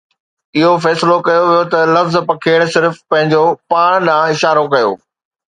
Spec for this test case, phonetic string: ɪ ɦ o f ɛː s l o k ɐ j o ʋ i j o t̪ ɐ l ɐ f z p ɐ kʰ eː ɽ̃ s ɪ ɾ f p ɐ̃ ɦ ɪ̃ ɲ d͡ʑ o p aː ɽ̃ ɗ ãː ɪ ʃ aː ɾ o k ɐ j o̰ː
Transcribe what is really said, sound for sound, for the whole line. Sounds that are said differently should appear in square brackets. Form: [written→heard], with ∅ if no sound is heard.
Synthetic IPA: ɪ ɦ o f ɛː s l o k ɐ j o ʋ i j o t̪ ɐ l ɐ f z p ɐ kʰ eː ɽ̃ s ɪ ɾ f p ɐ̃ ɦ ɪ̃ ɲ d͡ʑ o p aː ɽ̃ ɗ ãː ɪ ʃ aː ɾ o k ɐ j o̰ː